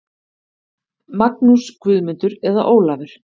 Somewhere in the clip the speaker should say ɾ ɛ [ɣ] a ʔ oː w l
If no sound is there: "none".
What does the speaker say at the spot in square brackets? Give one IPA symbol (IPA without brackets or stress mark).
ð